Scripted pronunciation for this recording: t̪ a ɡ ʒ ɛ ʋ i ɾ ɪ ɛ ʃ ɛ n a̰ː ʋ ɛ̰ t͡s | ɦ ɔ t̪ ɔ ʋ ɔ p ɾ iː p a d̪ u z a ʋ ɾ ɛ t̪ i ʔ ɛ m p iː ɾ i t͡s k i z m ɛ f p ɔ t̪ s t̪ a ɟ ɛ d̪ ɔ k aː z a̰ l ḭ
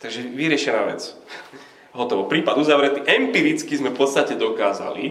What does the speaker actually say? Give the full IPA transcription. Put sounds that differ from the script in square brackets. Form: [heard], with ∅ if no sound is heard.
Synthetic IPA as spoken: t̪ a ɡ ʒ ɛ ʋ i ɾ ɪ ɛ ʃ ɛ n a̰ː ʋ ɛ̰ t͡s | ɦ ɔ t̪ ɔ ʋ ɔ p ɾ iː p a d̪ u z a ʋ ɾ ɛ t̪ i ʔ ɛ m p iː ɾ i t͡s k i z m ɛ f p ɔ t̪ s t̪ a [c] ɛ d̪ ɔ k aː z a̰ l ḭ